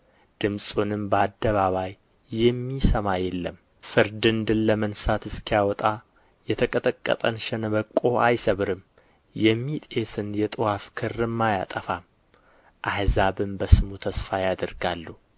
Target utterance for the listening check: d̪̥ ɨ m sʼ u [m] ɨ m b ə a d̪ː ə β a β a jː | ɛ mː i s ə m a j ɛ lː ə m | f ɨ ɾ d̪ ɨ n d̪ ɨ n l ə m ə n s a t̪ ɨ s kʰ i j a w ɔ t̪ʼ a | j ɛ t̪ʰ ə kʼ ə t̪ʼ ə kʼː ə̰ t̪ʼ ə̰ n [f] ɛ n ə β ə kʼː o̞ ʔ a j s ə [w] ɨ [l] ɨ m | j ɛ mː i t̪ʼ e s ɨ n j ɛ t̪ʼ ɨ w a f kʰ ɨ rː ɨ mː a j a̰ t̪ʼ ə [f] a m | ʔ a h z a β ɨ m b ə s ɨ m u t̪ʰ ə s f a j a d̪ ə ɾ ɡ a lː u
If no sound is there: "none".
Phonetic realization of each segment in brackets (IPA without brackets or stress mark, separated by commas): n, ʃ, β, ɾ, f